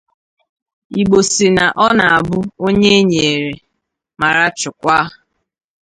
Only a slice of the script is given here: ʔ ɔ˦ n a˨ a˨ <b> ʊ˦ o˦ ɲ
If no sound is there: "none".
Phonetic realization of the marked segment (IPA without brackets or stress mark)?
b